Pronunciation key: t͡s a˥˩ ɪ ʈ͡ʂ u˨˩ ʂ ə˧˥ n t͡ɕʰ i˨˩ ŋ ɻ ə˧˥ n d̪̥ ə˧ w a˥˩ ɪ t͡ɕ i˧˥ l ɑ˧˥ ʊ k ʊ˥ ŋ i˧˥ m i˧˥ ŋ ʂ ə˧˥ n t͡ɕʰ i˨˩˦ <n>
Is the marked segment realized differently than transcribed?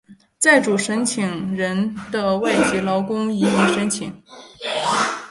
yes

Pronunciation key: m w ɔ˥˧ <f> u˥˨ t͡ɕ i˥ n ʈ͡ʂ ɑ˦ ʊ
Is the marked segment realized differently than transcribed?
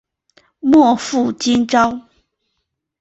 no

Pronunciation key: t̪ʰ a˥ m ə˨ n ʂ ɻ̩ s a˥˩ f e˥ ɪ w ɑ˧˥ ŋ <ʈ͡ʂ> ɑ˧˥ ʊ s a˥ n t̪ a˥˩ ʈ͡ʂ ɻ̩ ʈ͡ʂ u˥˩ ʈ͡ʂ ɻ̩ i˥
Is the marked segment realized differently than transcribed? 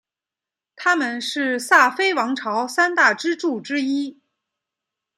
yes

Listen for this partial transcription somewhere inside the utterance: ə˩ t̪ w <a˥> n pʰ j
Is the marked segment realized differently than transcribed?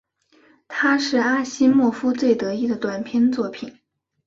yes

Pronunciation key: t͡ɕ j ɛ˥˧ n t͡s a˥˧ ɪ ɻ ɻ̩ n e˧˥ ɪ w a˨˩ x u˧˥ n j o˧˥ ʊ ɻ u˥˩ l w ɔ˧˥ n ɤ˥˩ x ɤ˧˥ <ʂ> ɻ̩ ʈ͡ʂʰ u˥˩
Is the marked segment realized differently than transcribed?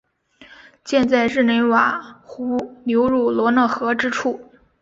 yes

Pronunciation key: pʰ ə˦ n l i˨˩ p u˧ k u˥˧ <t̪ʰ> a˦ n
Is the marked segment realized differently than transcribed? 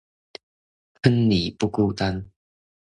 yes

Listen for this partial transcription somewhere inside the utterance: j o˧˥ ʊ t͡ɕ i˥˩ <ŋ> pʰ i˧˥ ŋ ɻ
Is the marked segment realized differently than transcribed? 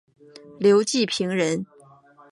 yes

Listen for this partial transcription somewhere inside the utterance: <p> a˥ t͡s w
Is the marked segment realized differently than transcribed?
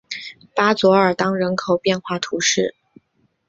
no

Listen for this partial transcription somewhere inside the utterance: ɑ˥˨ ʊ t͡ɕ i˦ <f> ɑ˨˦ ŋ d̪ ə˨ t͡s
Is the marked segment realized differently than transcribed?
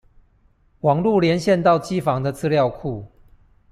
no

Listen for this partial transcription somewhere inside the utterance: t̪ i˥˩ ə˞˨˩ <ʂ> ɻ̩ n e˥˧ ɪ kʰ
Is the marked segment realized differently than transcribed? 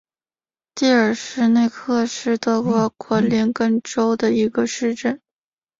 no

